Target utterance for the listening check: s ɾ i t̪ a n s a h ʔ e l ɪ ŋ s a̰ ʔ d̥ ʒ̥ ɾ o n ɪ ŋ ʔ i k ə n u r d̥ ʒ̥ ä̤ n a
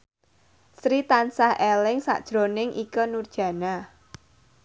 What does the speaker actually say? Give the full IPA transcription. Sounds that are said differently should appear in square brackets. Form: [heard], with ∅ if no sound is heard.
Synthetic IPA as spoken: s ɾ i t̪ a n s a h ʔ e l ɪ ŋ s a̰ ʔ d̥ ʒ̥ ɾ o n ɪ ŋ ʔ i k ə n u r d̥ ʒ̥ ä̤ n a